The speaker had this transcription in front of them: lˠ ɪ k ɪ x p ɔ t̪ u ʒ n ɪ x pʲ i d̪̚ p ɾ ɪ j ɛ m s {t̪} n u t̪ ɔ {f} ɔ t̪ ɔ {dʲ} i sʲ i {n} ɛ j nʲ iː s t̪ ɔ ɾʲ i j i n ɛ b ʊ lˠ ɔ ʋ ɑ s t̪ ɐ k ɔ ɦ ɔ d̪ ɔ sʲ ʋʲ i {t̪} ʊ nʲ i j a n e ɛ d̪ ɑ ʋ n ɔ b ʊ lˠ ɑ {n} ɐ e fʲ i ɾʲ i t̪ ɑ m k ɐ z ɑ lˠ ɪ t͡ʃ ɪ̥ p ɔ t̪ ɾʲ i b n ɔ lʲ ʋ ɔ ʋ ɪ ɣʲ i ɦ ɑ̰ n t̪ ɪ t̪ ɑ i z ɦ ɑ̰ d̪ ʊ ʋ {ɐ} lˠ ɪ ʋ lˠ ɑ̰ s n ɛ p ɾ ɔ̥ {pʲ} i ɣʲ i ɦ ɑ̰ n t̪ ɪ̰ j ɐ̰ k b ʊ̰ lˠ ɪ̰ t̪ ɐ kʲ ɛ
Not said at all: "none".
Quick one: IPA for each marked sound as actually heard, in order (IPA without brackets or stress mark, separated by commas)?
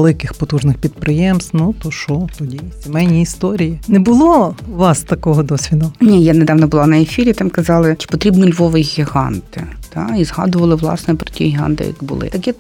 t̪, ʃ, dʲ, m, d̪, n, ɐ, tʲ